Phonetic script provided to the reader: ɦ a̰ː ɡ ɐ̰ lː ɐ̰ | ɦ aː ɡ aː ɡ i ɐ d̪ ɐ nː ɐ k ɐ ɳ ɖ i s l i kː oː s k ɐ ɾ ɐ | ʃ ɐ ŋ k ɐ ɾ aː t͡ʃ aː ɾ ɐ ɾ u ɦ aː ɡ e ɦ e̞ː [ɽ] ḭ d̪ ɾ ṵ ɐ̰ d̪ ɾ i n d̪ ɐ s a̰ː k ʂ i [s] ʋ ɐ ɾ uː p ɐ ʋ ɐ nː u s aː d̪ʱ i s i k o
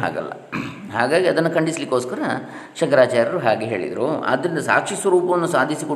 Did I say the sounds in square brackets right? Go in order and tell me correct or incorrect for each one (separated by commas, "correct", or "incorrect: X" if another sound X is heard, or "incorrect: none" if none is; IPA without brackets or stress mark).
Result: incorrect: ɭ, correct